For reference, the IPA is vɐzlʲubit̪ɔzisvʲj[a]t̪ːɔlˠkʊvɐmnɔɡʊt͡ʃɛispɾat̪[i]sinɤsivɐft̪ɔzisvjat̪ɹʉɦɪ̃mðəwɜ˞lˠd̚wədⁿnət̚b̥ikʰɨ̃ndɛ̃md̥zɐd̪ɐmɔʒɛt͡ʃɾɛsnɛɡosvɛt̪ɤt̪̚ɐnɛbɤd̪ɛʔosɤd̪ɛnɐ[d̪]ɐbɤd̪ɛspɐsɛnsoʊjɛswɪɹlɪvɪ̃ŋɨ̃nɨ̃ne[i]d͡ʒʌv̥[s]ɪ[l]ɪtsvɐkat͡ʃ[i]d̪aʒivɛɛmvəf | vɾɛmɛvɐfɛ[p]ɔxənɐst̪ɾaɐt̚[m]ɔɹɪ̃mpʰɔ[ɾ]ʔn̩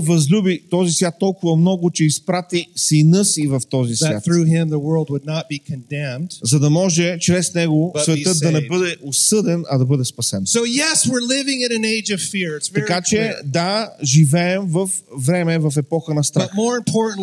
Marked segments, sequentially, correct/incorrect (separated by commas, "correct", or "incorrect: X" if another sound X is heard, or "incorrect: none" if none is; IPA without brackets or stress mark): correct, correct, correct, incorrect: ɪ, incorrect: f, incorrect: ɹ, incorrect: ɛ, correct, correct, incorrect: ɹ